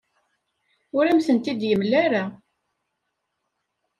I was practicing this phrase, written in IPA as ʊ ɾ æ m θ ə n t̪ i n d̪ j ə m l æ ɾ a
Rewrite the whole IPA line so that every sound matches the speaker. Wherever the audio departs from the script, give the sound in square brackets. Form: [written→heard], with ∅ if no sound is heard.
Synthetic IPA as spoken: ʊ ɾ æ m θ ə n t̪ i [n→∅] d̪ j ə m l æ ɾ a